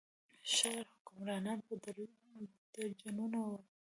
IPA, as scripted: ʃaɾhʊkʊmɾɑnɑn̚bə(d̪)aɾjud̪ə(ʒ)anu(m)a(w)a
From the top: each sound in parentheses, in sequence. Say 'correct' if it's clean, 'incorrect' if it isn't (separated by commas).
correct, incorrect, incorrect, correct